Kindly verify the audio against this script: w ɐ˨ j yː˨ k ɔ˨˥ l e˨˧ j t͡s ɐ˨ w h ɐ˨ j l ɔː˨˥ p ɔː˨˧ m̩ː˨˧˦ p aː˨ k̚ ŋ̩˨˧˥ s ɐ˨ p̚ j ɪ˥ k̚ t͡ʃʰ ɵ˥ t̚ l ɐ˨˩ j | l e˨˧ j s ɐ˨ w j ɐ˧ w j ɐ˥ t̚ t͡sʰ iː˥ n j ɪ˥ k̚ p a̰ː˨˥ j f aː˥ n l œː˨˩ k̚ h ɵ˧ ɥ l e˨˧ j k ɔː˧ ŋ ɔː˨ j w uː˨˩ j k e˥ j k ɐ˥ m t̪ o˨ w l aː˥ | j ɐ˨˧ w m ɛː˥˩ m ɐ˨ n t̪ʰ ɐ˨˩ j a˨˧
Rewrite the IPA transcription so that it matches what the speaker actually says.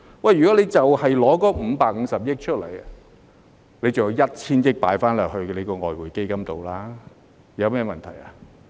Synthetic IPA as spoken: w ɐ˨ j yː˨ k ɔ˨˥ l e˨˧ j t͡s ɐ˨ w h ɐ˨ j l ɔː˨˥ k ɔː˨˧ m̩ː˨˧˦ p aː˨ k̚ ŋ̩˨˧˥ s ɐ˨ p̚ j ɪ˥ k̚ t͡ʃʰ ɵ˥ t̚ l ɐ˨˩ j | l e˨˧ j t͡s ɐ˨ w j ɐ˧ w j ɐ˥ t̚ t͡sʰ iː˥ n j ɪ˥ k̚ p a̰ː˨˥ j f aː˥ n l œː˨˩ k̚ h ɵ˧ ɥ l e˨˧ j k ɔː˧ ŋ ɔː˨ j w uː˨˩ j k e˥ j k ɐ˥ m t̪ o˨ w l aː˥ | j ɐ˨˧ w m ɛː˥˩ m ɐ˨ n t̪ʰ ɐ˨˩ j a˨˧

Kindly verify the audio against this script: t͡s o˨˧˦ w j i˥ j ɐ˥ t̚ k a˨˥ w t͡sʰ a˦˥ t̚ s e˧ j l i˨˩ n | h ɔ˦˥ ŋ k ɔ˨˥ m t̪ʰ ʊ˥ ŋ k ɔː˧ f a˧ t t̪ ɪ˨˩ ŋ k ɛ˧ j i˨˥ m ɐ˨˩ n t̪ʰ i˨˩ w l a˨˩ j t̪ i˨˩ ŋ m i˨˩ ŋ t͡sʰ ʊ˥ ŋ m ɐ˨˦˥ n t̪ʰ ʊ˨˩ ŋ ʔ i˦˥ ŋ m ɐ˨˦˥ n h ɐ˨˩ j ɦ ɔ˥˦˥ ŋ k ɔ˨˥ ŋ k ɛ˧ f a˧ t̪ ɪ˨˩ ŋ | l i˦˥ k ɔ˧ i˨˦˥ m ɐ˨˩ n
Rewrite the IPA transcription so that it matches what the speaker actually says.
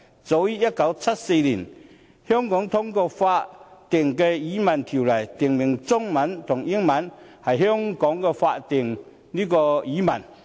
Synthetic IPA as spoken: t͡s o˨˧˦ w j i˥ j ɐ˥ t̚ k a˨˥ w t͡sʰ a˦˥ t̚ s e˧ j l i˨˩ n | h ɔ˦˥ ŋ k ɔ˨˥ ŋ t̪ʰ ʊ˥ ŋ k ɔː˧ f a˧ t t̪ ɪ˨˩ ŋ k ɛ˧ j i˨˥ m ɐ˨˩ n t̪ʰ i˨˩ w l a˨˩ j t̪ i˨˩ ŋ m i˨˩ ŋ t͡s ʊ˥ ŋ m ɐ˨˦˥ n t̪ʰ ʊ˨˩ ŋ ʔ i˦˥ ŋ m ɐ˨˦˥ n h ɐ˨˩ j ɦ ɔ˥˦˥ ŋ k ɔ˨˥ ŋ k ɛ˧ f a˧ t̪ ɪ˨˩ ŋ | l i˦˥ k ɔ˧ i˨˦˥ m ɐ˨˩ n

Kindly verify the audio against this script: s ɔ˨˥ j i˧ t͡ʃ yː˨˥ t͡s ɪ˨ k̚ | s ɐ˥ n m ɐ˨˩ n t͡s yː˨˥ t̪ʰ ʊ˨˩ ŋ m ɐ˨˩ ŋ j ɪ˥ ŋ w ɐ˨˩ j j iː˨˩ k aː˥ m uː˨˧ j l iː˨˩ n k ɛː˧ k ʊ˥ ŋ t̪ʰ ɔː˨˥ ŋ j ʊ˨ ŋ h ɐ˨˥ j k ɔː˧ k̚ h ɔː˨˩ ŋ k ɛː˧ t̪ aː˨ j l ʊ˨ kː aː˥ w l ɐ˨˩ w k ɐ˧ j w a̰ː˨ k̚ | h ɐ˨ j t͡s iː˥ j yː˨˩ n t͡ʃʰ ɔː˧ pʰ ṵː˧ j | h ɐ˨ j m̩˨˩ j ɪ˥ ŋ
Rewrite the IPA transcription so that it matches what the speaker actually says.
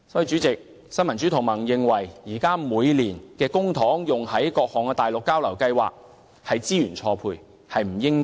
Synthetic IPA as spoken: s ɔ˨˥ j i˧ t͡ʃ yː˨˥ t͡s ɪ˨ k̚ | s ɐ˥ n m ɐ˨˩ n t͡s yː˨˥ t̪ʰ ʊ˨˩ ŋ m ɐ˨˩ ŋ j ɪ˨ ŋ w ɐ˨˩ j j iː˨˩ k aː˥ m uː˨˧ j l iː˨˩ n k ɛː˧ k ʊ˥ ŋ t̪ʰ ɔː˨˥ ŋ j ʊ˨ ŋ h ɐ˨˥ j k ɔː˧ k̚ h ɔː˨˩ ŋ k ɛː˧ t̪ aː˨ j l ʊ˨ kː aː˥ w l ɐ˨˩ w k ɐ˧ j w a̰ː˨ k̚ | h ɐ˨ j t͡s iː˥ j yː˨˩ n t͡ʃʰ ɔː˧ pʰ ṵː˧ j | h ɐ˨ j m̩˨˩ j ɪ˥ ŋ

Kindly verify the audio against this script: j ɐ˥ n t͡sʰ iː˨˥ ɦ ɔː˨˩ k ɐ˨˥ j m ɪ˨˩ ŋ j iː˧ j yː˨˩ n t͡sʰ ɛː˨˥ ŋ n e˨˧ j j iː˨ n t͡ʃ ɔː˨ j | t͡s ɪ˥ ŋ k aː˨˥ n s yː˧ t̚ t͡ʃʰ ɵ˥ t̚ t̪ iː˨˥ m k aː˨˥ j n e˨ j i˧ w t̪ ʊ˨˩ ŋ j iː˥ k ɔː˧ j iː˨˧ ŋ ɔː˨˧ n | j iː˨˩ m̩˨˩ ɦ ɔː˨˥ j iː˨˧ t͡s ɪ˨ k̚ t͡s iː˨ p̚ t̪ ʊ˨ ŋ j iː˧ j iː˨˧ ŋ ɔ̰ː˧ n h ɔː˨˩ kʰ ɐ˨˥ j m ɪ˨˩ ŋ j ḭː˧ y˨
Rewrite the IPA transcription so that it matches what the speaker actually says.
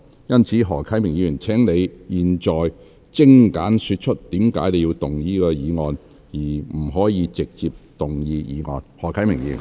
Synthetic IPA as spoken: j ɐ˥ n t͡sʰ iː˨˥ ɦ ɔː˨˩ kʰ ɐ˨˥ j m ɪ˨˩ ŋ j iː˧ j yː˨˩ n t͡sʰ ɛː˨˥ ŋ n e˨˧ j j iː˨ n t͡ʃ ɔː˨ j | t͡s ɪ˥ ŋ k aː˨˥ n s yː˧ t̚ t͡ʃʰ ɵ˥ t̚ t̪ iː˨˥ m k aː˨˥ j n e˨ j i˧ w t̪ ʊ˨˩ ŋ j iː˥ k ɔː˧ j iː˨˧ ŋ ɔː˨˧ n | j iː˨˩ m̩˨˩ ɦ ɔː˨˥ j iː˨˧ t͡s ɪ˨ k̚ t͡s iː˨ p̚ t̪ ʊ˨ ŋ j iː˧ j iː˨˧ ŋ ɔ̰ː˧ n h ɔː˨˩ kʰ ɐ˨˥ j m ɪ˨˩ ŋ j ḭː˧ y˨

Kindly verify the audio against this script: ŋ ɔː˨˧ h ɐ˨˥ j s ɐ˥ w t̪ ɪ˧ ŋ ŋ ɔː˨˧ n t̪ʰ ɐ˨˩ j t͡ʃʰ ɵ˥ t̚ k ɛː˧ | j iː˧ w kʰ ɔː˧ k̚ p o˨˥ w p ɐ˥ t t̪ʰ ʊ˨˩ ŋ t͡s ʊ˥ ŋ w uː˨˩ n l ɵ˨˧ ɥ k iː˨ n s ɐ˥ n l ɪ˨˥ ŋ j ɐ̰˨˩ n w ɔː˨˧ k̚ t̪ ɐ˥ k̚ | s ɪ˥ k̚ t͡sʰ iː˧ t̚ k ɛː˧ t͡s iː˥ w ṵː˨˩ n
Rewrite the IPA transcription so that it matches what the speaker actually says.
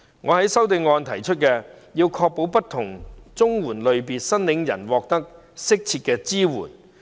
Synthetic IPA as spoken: ŋ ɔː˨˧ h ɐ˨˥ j s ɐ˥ w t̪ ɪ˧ ŋ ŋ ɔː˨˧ n t̪ʰ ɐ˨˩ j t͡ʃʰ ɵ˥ t̚ k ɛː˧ | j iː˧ w kʰ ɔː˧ k̚ p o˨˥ w p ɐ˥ t t̪ʰ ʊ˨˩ ŋ t͡s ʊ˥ ŋ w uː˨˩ n l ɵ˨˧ ɥ p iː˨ n s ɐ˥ n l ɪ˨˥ ŋ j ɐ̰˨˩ n w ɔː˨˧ k̚ t̪ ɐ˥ k̚ | s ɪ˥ k̚ t͡sʰ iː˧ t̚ k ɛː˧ t͡s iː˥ w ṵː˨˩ n

